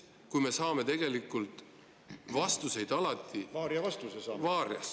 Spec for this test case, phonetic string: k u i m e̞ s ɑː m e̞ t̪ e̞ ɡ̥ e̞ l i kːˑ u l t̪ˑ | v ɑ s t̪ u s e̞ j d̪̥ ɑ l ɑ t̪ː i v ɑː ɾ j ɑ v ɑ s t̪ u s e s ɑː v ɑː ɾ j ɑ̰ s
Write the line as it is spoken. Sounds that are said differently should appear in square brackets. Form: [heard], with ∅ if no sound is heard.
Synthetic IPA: k u [j] m e̞ s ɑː m e̞ t̪ e̞ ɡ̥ e̞ l i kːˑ u l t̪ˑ | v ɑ s t̪ u s e̞ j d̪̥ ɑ l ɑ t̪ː i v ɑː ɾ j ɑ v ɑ s t̪ u s e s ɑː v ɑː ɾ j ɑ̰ s